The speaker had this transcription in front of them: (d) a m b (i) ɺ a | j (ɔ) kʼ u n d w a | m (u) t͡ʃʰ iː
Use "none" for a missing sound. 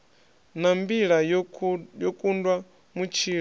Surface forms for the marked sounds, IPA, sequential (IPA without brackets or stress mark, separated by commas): n, i, ɔ, u